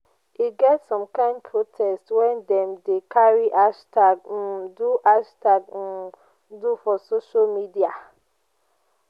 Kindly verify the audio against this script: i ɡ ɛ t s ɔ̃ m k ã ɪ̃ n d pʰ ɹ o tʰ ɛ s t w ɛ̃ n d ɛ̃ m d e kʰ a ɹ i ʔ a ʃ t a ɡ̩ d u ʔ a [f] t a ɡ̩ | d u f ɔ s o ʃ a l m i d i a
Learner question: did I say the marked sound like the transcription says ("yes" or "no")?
no